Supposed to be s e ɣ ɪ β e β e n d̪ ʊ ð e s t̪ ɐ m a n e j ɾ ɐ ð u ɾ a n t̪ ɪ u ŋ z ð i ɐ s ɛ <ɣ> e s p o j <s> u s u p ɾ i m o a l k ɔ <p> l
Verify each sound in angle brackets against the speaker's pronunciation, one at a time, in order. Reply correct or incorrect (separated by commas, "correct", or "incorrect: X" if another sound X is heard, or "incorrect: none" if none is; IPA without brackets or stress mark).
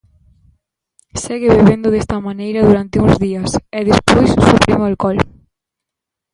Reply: incorrect: ð, correct, incorrect: none